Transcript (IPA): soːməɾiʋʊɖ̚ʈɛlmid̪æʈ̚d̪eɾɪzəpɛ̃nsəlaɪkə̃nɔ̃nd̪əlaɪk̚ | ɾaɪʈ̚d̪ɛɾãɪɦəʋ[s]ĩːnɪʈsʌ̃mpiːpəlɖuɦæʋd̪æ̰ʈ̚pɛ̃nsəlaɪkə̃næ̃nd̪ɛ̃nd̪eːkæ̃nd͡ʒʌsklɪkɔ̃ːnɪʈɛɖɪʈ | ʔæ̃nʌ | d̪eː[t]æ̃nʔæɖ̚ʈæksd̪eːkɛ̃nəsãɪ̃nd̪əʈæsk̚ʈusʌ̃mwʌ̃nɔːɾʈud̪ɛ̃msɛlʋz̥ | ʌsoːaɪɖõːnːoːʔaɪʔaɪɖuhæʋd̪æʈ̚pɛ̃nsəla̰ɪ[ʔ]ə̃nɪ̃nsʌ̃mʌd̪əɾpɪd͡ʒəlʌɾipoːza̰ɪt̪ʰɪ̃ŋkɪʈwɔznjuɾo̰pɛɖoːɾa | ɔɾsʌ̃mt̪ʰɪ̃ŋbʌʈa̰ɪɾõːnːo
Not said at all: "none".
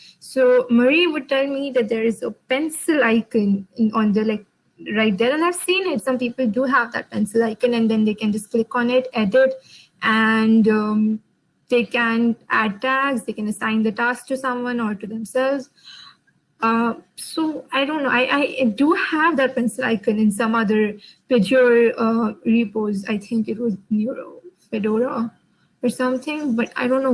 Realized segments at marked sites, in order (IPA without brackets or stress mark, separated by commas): s, k, k